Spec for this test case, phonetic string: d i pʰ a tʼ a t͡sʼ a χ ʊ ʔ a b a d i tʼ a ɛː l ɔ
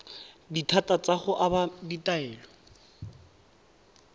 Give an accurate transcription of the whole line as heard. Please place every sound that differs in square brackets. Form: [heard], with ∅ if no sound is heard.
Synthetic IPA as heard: d i [tʰ] a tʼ a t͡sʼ a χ ʊ ʔ a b a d i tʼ a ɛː l ɔ